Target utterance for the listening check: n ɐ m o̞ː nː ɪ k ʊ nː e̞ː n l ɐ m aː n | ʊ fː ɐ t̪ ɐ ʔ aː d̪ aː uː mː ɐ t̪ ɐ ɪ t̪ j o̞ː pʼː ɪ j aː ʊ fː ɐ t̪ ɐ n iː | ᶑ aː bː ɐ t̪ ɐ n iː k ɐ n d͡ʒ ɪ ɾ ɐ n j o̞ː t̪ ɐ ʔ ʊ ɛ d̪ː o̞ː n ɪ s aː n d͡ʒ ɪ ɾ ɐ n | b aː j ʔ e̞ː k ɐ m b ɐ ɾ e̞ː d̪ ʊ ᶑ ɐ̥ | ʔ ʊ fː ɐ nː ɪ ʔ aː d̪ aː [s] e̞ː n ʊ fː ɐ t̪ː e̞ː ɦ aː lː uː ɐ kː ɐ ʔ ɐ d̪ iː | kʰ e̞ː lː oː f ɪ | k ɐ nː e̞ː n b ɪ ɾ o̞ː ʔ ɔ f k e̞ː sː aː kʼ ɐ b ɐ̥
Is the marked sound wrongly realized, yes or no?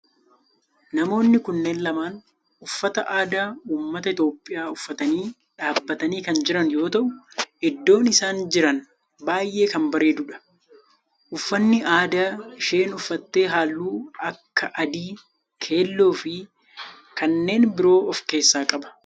yes